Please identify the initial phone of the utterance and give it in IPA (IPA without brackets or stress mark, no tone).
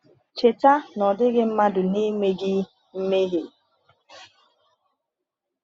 t͡ʃ